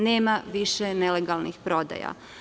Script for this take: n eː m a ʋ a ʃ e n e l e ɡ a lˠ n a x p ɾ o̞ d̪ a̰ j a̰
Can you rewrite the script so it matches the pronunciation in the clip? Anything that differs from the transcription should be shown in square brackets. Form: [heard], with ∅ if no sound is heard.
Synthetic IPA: n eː m a ʋ [i] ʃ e n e l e ɡ a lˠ n [i] x p ɾ o̞ d̪ a̰ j a̰